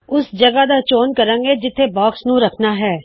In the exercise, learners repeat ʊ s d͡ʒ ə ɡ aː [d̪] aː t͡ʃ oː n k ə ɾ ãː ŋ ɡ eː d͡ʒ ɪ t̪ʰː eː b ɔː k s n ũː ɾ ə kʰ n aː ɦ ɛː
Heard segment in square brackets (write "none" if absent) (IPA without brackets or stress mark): d̪